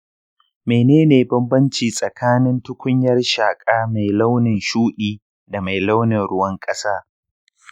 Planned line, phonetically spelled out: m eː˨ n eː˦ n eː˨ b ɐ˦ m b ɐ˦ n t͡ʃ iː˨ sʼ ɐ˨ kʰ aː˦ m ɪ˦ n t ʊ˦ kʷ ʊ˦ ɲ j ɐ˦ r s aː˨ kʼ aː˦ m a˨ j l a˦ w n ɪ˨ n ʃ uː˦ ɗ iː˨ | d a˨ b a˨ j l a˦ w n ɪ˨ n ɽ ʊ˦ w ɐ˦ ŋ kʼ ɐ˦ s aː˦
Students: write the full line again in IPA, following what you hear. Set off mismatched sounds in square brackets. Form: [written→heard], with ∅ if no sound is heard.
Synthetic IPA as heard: m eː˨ n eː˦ n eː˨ b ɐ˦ m b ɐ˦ n t͡ʃ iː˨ sʼ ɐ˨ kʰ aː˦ [m→n] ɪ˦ n t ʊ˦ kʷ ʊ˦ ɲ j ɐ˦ r [s→ʃ] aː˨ kʼ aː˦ m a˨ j l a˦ w n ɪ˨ n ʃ uː˦ ɗ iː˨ | d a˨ [b→m] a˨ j l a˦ w n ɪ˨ n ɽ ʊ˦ w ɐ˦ ŋ kʼ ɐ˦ s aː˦